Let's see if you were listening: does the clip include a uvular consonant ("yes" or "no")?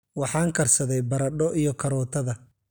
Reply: no